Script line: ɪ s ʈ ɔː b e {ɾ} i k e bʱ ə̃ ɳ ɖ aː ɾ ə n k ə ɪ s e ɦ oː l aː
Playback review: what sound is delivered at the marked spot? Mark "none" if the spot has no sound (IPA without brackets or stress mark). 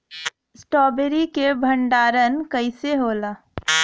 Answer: ɾ